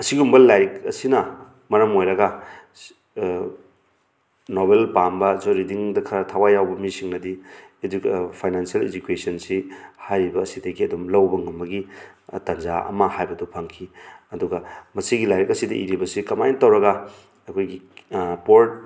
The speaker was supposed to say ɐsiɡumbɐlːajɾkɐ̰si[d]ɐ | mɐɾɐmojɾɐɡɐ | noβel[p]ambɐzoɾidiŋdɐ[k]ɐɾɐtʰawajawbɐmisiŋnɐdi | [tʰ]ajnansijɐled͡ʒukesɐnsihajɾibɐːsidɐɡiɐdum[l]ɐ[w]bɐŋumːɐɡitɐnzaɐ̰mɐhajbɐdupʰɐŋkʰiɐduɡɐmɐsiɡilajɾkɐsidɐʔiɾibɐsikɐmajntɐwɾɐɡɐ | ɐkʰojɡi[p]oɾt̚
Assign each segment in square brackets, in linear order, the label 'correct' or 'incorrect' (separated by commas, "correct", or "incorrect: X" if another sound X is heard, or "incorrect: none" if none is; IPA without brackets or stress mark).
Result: incorrect: n, correct, incorrect: kʰ, incorrect: pʰ, correct, correct, correct